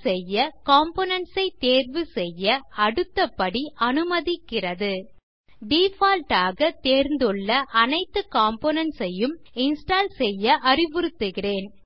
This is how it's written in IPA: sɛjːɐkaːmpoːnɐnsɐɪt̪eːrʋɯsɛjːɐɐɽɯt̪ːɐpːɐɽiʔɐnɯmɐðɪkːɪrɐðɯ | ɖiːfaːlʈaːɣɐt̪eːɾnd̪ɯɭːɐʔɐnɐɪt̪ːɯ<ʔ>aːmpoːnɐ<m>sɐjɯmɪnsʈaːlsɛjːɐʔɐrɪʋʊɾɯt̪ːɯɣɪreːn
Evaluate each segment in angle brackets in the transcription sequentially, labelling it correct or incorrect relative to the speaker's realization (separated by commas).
incorrect, incorrect